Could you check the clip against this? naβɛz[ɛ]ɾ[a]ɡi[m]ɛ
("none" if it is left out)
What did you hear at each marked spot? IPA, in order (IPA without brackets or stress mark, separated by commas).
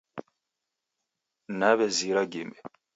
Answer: i, a, m